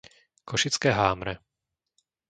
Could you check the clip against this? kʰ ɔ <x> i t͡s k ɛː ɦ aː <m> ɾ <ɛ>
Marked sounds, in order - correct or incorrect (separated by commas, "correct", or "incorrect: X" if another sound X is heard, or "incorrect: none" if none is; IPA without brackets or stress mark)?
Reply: incorrect: ʃ, correct, correct